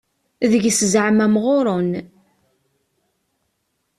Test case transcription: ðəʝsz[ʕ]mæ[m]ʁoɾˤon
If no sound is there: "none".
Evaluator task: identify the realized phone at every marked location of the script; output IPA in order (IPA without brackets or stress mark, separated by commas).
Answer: ʕ, m